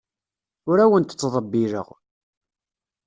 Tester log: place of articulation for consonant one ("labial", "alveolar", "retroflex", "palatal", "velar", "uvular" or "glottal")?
alveolar